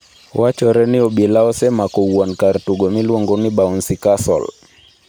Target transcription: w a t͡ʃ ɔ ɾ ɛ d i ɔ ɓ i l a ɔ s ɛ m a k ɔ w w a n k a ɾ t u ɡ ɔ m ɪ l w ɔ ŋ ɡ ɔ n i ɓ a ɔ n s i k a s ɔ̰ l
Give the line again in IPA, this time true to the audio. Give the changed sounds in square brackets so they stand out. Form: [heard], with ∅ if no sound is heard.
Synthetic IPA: w a t͡ʃ ɔ ɾ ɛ [n] i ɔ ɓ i l a ɔ s ɛ m a k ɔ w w a n k a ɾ t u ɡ ɔ m [i] l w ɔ ŋ ɡ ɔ n i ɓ a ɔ n s i k a s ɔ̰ l